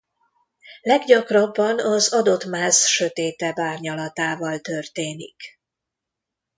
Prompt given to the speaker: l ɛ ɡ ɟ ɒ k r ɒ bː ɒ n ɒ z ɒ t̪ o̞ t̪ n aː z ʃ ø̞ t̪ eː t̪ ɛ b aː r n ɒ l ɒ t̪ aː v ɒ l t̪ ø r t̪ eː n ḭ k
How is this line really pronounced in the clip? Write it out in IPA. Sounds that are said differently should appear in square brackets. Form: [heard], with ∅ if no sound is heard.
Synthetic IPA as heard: l ɛ ɡ ɟ ɒ k r ɒ bː ɒ n ɒ z ɒ [d̪] o̞ t̪ [m] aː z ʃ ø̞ t̪ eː t̪ ɛ b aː r [ɲ] ɒ l ɒ t̪ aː v ɒ l t̪ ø r t̪ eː n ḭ k